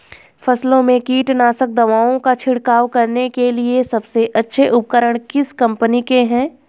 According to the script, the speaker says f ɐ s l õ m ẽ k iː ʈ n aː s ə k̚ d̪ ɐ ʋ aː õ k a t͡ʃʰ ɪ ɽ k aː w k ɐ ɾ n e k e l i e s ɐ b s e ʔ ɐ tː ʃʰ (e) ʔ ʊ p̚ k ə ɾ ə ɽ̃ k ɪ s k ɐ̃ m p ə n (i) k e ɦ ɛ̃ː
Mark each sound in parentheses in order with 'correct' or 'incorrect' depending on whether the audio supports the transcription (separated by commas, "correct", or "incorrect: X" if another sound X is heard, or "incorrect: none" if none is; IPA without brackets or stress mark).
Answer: correct, correct